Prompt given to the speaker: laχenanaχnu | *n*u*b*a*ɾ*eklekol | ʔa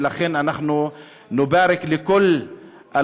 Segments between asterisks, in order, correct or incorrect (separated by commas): correct, correct, correct